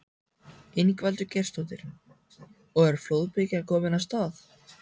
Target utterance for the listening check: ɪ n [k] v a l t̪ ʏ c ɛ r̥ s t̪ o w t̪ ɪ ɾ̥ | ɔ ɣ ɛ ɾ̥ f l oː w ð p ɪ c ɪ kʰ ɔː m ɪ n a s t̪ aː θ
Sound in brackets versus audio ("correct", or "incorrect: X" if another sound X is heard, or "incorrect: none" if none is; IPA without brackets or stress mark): correct